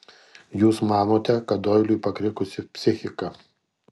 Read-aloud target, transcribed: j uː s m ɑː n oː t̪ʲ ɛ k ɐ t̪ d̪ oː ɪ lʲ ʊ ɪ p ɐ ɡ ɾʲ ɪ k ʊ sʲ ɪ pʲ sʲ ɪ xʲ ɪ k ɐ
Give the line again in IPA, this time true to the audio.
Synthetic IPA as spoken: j uː s m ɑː n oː t̪ʲ ɛ k ɐ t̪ d̪ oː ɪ lʲ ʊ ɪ p ɐ k ɾʲ ɪ k ʊ sʲ ɪ pʲ sʲ ɪ xʲ ɪ k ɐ